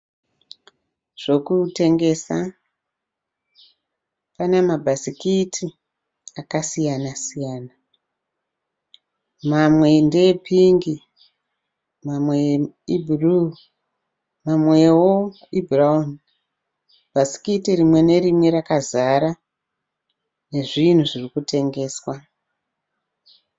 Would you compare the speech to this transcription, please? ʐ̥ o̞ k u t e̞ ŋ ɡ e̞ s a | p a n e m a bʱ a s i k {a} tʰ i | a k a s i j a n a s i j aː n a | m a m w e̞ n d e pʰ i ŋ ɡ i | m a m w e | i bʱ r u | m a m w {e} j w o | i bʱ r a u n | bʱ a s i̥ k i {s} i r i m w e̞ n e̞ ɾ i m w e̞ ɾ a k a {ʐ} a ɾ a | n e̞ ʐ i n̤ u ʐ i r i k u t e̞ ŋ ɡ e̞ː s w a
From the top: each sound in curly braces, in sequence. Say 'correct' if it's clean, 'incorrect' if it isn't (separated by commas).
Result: incorrect, correct, incorrect, incorrect